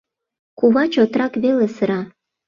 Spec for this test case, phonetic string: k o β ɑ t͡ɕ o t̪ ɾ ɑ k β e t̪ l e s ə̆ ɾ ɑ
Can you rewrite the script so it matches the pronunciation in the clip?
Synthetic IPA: k u β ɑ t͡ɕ o t̪ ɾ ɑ k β e l e s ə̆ ɾ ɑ